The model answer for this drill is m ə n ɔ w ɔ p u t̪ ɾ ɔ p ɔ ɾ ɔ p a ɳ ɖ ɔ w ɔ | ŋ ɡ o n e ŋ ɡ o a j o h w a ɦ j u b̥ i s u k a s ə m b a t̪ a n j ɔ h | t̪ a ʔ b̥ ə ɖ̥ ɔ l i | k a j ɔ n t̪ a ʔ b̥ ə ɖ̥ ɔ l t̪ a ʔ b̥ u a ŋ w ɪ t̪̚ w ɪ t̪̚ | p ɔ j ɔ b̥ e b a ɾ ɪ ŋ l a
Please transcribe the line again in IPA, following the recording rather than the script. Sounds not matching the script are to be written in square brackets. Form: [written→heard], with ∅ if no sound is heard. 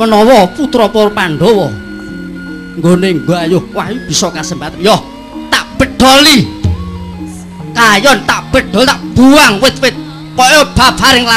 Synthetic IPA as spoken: m ə n ɔ w ɔ p u t̪ ɾ ɔ p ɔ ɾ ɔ p a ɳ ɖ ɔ w ɔ | ŋ ɡ o n e ŋ ɡ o a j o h w a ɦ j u b̥ i s [u→ɔ] k a s ə m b a t̪ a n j ɔ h | t̪ a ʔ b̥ ə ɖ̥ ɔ l i | k a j ɔ n t̪ a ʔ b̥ ə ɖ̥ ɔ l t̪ a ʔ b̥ u a ŋ w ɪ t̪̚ w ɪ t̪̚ | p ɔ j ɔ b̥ [e→a] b a ɾ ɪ ŋ l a